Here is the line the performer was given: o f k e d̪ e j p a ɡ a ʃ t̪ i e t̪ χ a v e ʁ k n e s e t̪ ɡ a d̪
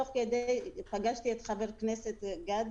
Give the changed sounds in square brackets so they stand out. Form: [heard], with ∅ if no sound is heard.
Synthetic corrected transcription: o [χ] k e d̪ e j p a ɡ a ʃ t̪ i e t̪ χ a v e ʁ k n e s e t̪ ɡ a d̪